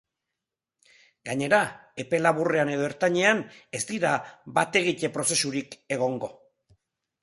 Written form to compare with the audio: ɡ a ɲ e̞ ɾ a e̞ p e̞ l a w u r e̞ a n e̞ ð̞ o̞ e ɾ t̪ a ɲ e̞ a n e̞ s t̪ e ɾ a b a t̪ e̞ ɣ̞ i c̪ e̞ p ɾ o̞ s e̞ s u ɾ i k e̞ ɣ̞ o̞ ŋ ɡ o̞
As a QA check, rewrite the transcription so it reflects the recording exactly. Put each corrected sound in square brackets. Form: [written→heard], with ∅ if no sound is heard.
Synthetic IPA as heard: ɡ a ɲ e̞ ɾ a e̞ p e̞ l a [w→β] u r e̞ a n e̞ ð̞ o̞ e ɾ t̪ a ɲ e̞ a n e̞ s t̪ [e→i] ɾ a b a t̪ e̞ ɣ̞ i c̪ e̞ p ɾ o̞ s e̞ s u ɾ i k e̞ ɣ̞ o̞ ŋ ɡ o̞